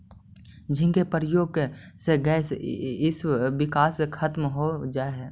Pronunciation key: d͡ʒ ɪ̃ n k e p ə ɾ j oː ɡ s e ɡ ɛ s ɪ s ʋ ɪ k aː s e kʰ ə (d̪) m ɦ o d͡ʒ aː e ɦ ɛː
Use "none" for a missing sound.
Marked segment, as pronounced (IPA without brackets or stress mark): t̪